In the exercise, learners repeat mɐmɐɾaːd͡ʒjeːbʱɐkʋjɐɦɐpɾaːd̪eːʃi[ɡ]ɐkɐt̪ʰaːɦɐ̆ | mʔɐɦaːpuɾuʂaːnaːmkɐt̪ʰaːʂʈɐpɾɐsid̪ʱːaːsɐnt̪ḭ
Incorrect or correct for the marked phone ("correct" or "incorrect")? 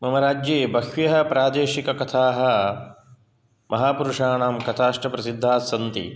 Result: incorrect